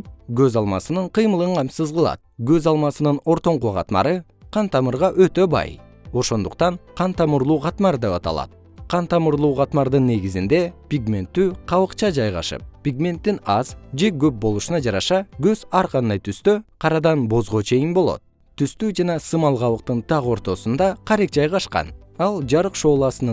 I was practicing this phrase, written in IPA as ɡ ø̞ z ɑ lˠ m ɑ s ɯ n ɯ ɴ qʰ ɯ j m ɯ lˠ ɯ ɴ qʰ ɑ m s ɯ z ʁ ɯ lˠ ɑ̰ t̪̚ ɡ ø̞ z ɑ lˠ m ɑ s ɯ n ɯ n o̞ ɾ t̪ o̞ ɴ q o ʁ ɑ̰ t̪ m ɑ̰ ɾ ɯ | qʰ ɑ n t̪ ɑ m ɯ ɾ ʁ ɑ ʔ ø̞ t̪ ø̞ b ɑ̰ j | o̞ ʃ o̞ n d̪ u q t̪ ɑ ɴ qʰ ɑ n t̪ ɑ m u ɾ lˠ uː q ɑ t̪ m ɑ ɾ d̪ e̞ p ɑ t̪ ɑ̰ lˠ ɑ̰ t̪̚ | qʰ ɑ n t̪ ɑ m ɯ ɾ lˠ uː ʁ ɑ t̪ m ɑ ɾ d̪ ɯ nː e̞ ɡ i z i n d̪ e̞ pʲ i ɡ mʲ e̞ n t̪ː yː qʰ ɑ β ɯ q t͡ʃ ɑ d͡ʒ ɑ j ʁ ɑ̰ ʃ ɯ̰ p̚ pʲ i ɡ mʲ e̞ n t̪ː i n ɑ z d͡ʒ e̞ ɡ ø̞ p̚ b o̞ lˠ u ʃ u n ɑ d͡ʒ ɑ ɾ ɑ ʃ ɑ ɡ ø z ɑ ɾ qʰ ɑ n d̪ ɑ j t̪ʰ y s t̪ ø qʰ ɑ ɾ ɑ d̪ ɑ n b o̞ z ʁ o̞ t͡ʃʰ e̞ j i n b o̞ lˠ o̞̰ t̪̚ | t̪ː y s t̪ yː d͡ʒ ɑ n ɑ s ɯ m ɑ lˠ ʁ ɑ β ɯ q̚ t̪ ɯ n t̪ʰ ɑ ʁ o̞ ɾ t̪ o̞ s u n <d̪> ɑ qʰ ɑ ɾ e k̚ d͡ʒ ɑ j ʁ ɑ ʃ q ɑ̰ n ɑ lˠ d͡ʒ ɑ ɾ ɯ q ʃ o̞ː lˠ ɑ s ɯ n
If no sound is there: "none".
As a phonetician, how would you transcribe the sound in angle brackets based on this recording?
d̪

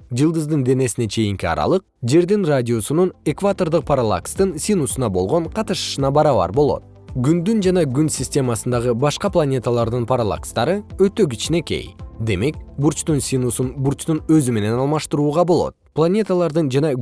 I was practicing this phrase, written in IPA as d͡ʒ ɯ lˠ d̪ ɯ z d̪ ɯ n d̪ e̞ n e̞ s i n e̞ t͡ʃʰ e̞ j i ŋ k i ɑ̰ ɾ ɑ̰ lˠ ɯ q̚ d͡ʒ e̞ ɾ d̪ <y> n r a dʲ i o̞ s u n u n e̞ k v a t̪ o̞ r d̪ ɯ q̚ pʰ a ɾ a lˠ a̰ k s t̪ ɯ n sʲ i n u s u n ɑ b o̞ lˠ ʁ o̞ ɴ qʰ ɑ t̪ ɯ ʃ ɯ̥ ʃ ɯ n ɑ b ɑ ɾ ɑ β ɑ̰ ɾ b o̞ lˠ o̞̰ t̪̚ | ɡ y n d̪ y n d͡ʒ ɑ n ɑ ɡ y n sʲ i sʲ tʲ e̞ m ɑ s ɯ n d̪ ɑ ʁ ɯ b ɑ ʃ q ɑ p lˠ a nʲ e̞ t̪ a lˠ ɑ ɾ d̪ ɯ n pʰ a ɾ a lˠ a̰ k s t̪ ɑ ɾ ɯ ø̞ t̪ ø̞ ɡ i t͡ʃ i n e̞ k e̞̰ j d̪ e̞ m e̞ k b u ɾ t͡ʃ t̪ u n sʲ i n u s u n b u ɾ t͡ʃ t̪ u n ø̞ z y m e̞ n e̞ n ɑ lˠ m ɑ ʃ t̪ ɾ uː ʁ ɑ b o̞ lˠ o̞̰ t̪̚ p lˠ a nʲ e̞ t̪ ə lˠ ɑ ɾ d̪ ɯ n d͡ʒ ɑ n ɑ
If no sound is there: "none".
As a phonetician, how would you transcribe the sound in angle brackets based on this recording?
i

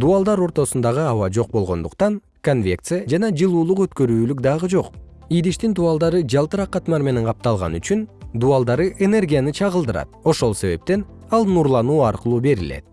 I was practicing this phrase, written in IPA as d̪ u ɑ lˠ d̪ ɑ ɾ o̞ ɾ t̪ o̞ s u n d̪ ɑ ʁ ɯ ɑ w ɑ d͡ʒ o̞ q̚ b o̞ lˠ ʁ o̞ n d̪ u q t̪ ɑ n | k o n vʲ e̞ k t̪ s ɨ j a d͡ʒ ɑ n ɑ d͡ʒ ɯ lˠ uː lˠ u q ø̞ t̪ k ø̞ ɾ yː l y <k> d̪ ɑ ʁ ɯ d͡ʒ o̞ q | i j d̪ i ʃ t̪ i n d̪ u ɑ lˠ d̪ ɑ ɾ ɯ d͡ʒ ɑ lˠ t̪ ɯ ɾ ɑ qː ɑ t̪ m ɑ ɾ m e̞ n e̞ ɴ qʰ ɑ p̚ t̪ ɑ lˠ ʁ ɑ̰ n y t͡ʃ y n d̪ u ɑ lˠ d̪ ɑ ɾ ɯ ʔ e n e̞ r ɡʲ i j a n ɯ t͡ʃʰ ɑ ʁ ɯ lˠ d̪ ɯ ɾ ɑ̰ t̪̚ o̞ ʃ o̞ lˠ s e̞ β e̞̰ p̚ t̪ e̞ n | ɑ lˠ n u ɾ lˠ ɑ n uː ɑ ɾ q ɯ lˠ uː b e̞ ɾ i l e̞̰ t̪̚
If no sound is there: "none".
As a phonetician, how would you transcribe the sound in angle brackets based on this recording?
k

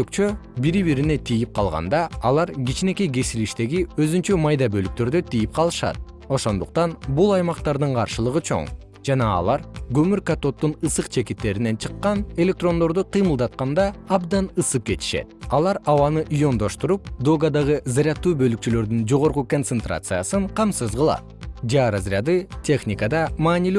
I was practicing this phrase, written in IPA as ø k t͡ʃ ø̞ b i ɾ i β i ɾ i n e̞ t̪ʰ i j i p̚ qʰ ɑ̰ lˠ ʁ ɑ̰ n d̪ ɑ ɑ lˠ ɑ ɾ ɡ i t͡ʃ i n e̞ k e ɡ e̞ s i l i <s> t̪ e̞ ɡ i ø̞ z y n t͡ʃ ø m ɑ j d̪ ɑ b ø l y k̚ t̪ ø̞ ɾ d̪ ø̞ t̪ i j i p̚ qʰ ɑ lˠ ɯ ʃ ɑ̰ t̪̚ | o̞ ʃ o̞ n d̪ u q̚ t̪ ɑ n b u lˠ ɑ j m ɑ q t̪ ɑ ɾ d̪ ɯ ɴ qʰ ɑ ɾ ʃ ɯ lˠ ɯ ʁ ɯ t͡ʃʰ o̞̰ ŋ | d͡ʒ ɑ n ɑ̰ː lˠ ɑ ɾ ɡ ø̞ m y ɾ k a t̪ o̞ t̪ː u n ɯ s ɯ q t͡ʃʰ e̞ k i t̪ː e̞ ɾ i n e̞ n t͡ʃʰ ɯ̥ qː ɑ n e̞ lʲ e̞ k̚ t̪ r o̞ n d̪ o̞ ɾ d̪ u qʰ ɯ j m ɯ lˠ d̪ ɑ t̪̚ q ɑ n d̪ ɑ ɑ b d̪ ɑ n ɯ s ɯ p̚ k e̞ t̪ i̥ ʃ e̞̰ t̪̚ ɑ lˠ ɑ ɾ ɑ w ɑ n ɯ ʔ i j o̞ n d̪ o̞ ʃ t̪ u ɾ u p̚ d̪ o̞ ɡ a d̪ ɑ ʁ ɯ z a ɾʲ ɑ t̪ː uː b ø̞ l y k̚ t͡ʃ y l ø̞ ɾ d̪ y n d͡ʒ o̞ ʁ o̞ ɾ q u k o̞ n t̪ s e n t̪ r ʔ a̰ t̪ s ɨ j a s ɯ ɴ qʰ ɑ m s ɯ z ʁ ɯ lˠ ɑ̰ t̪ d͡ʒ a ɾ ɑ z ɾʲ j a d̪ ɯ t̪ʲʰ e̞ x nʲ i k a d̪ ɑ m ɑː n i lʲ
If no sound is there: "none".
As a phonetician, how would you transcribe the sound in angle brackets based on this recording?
ʃ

